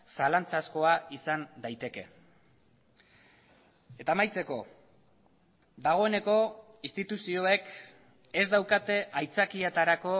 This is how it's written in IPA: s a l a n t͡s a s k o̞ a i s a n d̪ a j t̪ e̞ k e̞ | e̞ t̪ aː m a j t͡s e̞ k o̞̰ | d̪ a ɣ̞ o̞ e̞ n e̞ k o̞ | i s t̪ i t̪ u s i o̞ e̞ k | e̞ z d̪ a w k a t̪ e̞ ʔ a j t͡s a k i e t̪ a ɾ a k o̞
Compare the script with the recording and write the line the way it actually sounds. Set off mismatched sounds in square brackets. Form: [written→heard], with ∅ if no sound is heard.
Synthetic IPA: s a l a n t͡s a s k o̞ a i s a n d̪ a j t̪ e̞ k e̞ | e̞ t̪ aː m a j t͡s e̞ k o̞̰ | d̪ a ɣ̞ o̞ e̞ n e̞ k o̞ | i s t̪ i t̪ u s i o̞ e̞ k | e̞ z d̪ a w k a t̪ e̞ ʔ a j t͡s a k i e t̪ a ɾ a k o̞